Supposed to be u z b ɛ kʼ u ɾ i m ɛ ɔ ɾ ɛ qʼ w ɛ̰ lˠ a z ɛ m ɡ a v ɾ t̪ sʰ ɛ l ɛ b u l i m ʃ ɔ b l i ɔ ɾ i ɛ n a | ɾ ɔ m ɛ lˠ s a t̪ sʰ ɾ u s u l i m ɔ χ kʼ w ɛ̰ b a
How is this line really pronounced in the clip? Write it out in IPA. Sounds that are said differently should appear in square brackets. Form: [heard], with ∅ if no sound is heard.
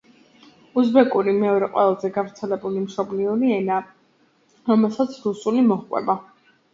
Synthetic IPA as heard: u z b ɛ kʼ u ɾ i m ɛ ɔ ɾ ɛ qʼ w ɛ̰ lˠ a z ɛ [∅] ɡ a v ɾ t̪ sʰ ɛ l ɛ b u l i m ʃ ɔ b l i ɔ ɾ i ɛ n a | ɾ ɔ m ɛ lˠ s a t̪ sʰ ɾ u s u l i m ɔ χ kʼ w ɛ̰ b a